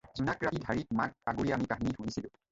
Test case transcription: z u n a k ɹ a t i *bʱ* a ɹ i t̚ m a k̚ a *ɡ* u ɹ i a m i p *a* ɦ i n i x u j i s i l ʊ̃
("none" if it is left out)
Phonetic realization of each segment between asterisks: dʱ, ɡ, a

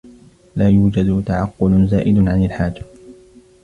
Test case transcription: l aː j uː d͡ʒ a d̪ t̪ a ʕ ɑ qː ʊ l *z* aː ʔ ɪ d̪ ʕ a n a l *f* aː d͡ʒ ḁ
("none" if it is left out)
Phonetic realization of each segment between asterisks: z, ħ

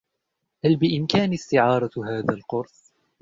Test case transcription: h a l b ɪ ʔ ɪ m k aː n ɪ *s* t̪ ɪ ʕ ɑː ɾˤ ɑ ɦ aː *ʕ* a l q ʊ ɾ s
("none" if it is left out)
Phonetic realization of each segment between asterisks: s, ð

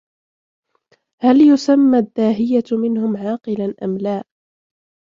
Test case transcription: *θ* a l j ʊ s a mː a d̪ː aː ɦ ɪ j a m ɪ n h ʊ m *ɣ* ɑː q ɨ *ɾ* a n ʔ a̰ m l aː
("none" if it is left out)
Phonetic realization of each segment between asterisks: h, ʕ, l

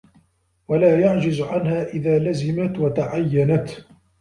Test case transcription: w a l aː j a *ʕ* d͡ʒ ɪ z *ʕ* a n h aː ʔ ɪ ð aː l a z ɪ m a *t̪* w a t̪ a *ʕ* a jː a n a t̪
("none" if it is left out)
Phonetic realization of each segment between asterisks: ʕ, ʕ, t̪, ʕ

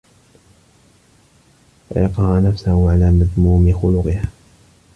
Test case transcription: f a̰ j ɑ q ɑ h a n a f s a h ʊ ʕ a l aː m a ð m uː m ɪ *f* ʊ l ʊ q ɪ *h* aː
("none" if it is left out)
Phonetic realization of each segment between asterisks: x, h

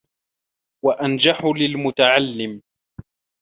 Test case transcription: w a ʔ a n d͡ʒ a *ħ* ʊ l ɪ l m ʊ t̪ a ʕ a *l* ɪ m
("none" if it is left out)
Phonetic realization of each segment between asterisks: ħ, lː

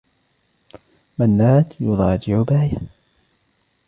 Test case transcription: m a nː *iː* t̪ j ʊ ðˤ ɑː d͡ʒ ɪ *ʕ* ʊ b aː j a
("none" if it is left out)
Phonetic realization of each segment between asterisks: aː, ʕ

